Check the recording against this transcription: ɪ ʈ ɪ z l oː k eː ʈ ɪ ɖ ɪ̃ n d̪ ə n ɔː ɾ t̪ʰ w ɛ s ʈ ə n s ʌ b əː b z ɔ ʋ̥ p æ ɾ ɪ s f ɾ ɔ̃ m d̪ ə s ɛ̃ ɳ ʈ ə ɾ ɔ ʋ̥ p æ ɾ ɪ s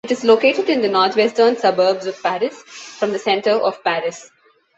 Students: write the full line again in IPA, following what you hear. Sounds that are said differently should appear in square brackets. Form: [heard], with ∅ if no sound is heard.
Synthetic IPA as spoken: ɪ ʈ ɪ z l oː k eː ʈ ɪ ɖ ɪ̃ n d̪ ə n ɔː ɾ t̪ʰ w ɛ s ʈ ə n s ʌ b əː b z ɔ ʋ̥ p æ ɾ ɪ s f ɾ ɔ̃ m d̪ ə s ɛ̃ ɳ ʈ ə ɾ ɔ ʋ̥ p æ ɾ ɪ s